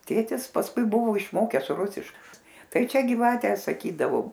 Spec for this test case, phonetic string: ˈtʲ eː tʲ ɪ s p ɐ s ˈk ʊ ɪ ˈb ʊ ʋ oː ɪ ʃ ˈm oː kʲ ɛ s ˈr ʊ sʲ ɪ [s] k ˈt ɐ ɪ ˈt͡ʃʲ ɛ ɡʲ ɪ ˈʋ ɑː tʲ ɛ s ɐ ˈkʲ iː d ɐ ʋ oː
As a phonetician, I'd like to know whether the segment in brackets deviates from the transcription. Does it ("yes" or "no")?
yes